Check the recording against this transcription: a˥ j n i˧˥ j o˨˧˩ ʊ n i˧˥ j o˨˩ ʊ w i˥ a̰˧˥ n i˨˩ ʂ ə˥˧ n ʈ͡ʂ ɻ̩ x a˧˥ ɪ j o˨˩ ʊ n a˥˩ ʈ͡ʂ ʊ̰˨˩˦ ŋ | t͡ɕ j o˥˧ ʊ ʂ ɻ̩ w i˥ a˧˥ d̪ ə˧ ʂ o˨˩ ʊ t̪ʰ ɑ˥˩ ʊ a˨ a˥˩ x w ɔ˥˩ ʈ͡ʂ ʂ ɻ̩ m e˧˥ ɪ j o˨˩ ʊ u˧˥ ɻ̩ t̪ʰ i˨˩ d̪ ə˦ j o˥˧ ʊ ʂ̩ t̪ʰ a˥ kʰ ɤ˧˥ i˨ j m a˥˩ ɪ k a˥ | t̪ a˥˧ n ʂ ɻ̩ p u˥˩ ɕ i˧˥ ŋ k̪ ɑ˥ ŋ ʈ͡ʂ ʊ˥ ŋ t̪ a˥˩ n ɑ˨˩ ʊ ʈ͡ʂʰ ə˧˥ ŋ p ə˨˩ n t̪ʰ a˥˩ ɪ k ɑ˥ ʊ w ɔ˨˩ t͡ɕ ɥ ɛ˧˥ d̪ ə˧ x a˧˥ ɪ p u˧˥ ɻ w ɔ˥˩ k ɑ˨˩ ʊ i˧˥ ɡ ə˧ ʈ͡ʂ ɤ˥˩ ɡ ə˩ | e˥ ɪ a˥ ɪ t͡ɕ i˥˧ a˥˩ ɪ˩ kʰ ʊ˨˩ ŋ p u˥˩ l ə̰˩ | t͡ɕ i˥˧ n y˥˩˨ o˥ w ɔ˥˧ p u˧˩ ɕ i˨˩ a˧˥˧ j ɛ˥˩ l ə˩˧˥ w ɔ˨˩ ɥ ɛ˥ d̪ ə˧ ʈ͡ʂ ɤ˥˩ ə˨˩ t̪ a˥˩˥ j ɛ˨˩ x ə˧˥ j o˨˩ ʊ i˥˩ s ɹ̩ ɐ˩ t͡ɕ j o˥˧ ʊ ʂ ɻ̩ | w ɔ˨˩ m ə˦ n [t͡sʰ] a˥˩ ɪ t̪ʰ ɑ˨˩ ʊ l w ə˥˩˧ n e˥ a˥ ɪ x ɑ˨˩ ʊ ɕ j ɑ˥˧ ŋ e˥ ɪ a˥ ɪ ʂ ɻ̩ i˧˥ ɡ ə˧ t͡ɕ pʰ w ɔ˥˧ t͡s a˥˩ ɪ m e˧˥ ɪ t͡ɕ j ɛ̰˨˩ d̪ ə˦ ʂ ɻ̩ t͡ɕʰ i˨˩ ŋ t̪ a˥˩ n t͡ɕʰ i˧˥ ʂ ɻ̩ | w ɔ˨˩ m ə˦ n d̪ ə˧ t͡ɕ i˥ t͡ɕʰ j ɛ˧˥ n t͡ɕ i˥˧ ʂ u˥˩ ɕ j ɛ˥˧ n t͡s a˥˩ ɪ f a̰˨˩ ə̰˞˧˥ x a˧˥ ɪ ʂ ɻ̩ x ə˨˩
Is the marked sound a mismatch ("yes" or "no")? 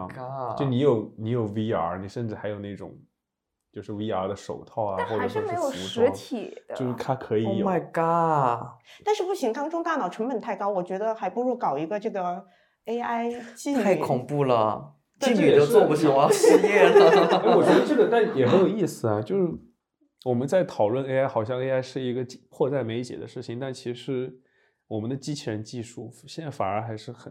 yes